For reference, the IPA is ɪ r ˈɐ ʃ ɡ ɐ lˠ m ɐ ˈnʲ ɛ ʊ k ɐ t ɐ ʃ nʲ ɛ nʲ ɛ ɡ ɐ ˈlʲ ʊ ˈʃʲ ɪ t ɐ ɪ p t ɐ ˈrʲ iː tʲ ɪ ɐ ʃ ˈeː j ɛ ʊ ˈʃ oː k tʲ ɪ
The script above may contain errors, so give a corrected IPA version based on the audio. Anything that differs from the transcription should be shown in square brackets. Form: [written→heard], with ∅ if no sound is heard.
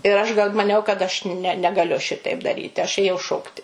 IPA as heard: ɪ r ˈɐ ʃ ɡ ɐ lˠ m ɐ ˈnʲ ɛ ʊ k ɐ t ɐ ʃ nʲ ɛ nʲ ɛ ɡ ɐ ˈlʲ ʊ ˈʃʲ ɪ t ɐ ɪ p [t→d] ɐ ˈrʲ iː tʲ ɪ ɐ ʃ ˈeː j ɛ ʊ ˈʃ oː k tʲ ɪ